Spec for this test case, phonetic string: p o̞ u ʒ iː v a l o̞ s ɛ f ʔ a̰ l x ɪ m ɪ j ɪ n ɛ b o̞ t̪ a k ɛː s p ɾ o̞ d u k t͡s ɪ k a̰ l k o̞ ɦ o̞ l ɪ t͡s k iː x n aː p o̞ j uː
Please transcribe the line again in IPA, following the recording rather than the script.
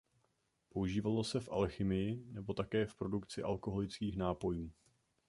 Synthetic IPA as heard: p o̞ u ʒ iː v a l o̞ s ɛ f ʔ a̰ l x ɪ m ɪ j ɪ n ɛ b o̞ t̪ a k ɛː f p ɾ o̞ d u k t͡s ɪ ʔ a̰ l k o̞ ɦ o̞ l ɪ t͡s k iː x n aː p o̞ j uː

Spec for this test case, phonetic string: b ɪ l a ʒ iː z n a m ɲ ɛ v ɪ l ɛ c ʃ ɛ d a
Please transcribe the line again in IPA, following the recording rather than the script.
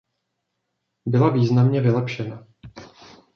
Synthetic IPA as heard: b ɪ l a v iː z n a m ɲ ɛ v ɪ l ɛ p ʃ ɛ n a

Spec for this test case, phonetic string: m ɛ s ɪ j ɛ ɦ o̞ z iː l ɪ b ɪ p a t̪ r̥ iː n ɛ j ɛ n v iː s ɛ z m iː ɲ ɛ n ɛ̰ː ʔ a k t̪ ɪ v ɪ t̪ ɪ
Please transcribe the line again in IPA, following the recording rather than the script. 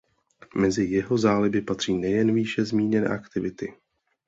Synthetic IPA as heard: m ɛ z ɪ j ɛ ɦ o̞ z aː l ɪ b ɪ p a t̪ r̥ iː n ɛ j ɛ n v iː ʃ ɛ z m iː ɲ ɛ n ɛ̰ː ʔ a k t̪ ɪ v ɪ t̪ ɪ

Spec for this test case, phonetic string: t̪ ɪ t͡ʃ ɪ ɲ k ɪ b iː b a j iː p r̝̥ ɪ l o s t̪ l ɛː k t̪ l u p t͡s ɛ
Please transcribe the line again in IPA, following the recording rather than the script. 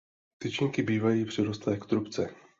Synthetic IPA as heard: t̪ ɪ t͡ʃ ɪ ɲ k ɪ b iː v a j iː p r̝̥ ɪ ɾ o s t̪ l ɛː k t̪ ɾ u p t͡s ɛ

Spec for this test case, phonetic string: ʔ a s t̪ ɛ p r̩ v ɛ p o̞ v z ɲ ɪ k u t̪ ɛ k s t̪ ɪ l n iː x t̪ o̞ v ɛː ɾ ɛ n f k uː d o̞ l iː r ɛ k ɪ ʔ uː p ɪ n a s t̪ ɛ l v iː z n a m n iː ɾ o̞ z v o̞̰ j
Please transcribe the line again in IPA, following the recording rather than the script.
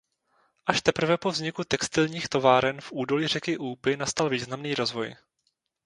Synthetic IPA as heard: ʔ a ʃ t̪ ɛ p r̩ v ɛ p o̞ v z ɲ ɪ k u t̪ ɛ k s t̪ ɪ l ɲ iː x t̪ o̞ v aː ɾ ɛ n f ʔ uː d o̞ l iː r ɛ k ɪ ʔ uː p ɪ n a s t̪ a l v iː z n a m n iː ɾ o̞ z v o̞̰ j

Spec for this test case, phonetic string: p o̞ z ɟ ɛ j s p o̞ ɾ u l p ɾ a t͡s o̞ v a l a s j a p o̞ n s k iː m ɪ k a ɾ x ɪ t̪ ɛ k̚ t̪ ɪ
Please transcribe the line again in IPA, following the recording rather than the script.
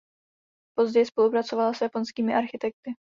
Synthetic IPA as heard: p o̞ z ɟ ɛ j s p o̞ l u p ɾ a t͡s o̞ v a l a s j a p o̞ n s k iː m ɪ ʔ a ɾ x ɪ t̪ ɛ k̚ t̪ ɪ

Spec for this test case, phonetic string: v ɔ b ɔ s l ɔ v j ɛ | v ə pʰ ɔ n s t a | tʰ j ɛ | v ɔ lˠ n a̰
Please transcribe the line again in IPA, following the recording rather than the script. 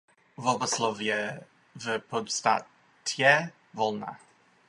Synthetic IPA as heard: v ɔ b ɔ s l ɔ v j ɛ | v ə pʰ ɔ d s t a | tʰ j ɛ | v ɔ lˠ n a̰

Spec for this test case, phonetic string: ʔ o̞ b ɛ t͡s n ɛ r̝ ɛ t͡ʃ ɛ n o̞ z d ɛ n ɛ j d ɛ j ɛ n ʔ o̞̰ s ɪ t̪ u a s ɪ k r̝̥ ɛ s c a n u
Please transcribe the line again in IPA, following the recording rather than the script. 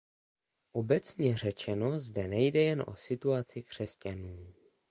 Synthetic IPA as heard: ʔ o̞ b ɛ t͡s ɲ ɛ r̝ ɛ t͡ʃ ɛ n o̞ z d ɛ n ɛ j d ɛ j ɛ n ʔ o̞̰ s ɪ t̪ u a t͡s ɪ k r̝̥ ɛ s c a n uː

